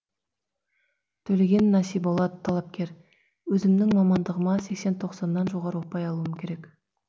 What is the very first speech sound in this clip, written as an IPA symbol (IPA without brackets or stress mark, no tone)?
t̪ʰ